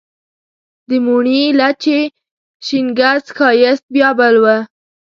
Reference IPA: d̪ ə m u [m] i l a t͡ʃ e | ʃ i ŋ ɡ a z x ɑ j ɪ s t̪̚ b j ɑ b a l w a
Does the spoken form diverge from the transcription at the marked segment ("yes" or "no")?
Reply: yes